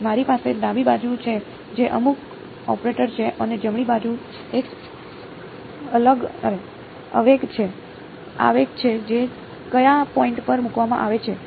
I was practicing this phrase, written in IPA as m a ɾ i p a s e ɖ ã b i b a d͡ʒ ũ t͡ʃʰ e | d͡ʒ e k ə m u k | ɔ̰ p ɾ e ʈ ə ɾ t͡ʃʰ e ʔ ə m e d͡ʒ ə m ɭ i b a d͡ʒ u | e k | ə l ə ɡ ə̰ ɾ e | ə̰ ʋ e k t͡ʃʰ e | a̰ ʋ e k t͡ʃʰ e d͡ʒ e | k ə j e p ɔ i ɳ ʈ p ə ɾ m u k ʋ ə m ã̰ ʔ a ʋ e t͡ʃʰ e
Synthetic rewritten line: m a ɾ i p a s e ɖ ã b i b a d͡ʒ u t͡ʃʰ e | d͡ʒ e ʔ ə m u k | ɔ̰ p ɾ e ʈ ə ɾ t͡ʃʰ e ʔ ə n e d͡ʒ ə m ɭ i b a d͡ʒ u | e k | ə l ə ɡ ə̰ ɾ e | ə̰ ʋ e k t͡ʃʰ e | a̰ ʋ e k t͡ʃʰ e d͡ʒ e | k ə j a p ɔ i ɳ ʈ p ə ɾ m u k ʋ a m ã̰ ʔ a ʋ e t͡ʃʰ e